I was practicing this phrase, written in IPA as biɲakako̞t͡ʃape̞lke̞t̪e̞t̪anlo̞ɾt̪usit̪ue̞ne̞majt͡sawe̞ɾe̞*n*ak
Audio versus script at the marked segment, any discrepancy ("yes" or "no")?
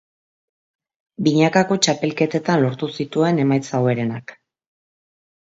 no